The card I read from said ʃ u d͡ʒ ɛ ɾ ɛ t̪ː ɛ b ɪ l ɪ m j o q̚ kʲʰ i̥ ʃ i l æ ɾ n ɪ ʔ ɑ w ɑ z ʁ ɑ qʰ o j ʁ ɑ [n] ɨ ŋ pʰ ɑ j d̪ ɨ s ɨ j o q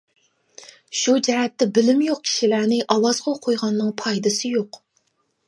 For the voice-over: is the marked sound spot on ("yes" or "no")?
no